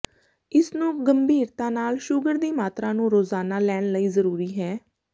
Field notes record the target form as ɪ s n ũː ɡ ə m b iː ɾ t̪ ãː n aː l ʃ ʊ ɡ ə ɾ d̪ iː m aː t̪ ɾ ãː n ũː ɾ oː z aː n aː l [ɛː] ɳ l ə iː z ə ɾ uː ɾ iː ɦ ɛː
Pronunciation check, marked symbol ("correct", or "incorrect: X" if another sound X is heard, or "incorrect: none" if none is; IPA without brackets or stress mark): correct